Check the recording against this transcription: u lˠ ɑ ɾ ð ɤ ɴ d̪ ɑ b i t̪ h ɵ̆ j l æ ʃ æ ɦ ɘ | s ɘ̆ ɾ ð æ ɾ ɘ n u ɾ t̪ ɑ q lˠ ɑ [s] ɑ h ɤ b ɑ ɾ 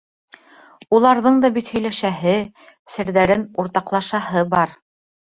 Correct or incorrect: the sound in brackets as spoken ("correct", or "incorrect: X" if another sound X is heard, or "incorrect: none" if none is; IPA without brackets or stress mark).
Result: incorrect: ʃ